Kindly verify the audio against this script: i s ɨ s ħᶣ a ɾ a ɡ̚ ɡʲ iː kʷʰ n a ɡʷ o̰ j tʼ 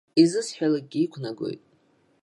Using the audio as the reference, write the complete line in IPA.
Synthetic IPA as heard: i z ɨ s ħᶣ a l a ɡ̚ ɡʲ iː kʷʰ n a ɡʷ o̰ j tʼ